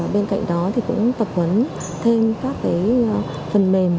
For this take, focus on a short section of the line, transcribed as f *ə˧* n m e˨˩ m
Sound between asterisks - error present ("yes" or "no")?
yes